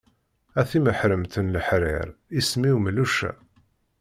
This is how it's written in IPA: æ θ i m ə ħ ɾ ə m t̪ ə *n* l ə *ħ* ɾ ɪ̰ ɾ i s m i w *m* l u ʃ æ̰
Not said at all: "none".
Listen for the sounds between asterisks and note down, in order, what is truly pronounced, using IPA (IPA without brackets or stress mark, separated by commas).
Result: n, ħ, m